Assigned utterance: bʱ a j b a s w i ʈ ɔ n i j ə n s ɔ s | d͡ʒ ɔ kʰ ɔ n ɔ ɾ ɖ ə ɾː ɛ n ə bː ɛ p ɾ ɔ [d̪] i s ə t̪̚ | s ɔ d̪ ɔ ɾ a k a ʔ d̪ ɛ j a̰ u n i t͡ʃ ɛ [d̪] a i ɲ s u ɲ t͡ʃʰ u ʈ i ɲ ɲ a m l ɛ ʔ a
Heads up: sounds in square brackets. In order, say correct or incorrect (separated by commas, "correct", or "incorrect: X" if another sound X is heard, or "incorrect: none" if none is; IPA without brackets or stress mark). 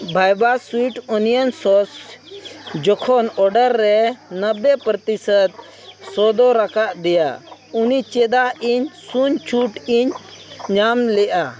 incorrect: t̪, correct